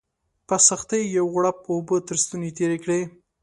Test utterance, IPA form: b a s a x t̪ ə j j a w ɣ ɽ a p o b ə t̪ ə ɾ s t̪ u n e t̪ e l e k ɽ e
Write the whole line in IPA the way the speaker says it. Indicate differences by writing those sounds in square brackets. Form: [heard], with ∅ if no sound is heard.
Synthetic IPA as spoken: [p] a s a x t̪ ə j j a w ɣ ɽ a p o b ə t̪ ə ɾ s t̪ u n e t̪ e [ɾ] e k ɽ e